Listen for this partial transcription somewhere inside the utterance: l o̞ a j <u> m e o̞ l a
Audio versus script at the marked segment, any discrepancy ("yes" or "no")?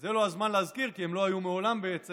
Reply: no